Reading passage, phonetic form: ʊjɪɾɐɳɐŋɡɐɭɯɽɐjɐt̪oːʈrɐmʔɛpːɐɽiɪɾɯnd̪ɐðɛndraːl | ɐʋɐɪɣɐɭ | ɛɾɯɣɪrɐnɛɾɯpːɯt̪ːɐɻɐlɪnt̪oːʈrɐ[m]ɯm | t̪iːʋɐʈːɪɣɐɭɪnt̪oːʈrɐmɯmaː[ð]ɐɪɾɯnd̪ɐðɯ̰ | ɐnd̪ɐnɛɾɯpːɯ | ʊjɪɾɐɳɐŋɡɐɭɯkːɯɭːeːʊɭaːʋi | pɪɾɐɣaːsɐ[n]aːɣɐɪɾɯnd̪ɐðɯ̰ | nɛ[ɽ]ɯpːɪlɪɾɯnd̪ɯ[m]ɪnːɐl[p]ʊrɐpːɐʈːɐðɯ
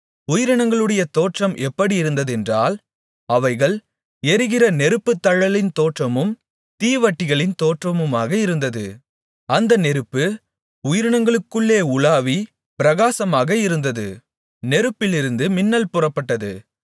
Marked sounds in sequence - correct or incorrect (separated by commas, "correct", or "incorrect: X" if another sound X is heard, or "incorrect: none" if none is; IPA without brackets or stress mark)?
correct, incorrect: ɣ, incorrect: m, incorrect: ɾ, correct, correct